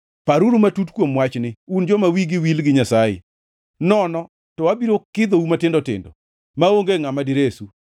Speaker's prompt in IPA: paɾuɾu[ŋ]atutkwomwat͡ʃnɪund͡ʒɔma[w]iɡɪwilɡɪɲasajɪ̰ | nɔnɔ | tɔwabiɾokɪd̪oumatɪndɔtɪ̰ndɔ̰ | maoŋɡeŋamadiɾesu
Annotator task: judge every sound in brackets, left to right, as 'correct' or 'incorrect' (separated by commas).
incorrect, correct